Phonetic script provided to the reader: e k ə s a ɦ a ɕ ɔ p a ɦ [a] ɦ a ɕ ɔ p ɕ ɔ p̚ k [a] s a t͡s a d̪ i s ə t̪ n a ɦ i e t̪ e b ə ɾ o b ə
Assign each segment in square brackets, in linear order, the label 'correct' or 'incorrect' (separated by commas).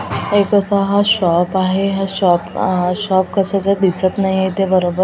incorrect, incorrect